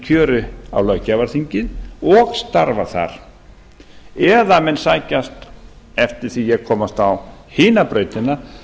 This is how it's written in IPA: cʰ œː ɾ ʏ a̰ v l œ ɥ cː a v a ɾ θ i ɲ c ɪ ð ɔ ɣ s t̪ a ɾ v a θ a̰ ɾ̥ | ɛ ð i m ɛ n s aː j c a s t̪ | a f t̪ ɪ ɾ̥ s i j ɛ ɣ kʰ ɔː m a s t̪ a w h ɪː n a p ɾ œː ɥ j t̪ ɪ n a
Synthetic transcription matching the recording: cʰ œː ɾ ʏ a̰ w l œ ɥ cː a v a ɾ θ i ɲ c ɪ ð ɔ ɣ s t̪ a ɾ v a θ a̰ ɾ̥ | ɛ ð a m ɛ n s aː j c a s t̪ | ɛ f t̪ ɪ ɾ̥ θ i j ɛ ɣ kʰ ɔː m a s t̪ a w h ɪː n a p ɾ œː ɥ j t̪ ɪ n a